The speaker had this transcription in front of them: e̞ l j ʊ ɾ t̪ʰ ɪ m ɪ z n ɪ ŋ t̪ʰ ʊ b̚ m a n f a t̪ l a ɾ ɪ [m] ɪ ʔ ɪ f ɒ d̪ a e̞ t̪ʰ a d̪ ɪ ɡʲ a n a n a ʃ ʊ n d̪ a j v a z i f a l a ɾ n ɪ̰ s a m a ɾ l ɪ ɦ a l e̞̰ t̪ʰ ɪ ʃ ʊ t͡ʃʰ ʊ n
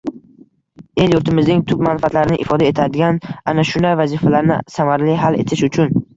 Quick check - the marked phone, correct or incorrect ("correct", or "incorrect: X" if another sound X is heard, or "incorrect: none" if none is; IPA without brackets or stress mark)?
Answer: incorrect: n